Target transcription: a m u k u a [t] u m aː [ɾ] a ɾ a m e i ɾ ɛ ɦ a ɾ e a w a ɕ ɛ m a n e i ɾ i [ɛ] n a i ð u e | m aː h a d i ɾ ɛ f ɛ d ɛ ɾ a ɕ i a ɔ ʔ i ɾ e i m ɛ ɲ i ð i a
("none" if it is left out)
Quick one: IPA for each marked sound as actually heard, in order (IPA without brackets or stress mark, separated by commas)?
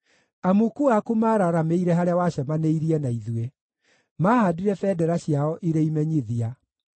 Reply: k, ɾ, ɛ